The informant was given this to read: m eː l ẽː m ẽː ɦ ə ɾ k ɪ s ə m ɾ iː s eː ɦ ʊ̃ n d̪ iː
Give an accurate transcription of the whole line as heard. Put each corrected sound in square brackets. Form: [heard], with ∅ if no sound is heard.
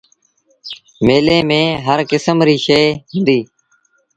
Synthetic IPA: m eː l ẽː m ẽː ɦ ə ɾ k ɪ s ə m ɾ iː [ʃ] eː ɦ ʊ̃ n d̪ iː